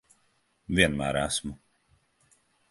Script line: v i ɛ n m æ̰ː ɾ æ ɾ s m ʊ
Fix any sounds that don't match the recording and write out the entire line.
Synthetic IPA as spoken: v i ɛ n m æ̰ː ɾ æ s m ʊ

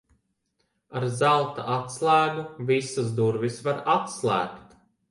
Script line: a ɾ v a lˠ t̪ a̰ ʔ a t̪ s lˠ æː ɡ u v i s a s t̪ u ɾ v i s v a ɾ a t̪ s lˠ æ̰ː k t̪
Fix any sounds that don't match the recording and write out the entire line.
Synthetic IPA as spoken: a ɾ z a lˠ t̪ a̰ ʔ a t̪ s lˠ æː ɡ u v i s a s d̪ u ɾ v i s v a ɾ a t̪ s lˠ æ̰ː k t̪

